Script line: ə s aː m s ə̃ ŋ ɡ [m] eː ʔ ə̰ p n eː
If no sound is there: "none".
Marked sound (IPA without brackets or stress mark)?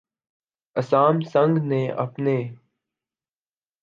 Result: n